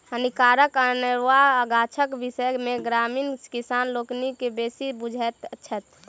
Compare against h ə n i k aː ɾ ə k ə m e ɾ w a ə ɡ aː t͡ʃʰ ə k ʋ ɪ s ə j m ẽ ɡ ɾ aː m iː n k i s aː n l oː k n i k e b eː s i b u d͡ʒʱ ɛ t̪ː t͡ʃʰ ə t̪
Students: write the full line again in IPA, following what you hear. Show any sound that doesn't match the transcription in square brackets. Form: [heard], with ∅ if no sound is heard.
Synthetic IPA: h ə n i k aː ɾ ə k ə [n] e ɾ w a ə ɡ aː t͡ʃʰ ə k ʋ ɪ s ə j m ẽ ɡ ɾ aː m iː n k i s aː n l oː k n i k e b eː s i b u d͡ʒʱ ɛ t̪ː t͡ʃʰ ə t̪